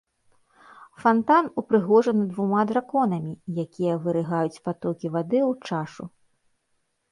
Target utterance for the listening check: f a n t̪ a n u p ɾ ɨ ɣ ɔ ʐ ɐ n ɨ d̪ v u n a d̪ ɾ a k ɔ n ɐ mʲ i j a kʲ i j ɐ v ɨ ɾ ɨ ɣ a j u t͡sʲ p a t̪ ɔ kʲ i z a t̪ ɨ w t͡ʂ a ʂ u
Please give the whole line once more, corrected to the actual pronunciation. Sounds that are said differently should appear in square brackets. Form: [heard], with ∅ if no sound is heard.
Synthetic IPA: f a n t̪ a n u p ɾ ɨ ɣ ɔ ʐ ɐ n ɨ d̪ v u [m] a d̪ ɾ a k ɔ n ɐ mʲ i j a kʲ i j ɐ v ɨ ɾ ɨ ɣ a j u t͡sʲ p a t̪ ɔ kʲ i [v] a [d̪] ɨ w t͡ʂ a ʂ u